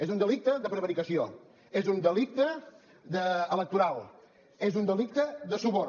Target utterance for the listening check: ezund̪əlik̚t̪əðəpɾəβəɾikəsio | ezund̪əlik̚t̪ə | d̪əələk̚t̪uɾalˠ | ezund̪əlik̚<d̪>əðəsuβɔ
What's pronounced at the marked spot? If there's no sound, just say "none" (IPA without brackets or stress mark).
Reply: t̪